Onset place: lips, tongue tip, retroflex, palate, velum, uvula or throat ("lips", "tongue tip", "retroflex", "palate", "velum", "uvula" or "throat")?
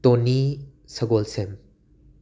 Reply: tongue tip